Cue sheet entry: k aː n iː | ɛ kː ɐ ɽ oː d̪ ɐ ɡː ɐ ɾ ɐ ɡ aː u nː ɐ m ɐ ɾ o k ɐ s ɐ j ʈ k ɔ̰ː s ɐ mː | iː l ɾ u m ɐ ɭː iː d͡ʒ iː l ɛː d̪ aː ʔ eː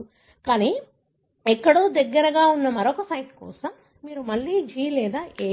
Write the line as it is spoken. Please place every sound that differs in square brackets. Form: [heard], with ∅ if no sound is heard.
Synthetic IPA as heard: k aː n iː | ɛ kː ɐ ɽ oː d̪ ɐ ɡː ɐ ɾ ɐ ɡ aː u nː ɐ m ɐ ɾ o k ɐ s ɐ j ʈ k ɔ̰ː s ɐ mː | iː [∅] ɾ u m ɐ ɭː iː d͡ʒ iː l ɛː d̪ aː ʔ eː